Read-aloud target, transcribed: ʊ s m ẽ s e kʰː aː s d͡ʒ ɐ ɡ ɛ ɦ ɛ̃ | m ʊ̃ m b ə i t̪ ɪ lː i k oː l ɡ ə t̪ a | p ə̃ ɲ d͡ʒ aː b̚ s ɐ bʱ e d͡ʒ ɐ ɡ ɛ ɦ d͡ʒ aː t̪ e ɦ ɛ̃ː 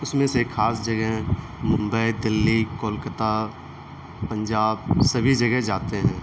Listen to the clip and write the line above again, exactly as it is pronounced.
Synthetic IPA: ʊ s m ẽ s e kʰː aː s d͡ʒ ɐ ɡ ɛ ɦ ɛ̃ | m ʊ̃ m b ə i d̪ ɪ lː i k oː l k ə t̪ a | p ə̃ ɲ d͡ʒ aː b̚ s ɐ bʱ i d͡ʒ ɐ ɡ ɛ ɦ d͡ʒ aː t̪ e ɦ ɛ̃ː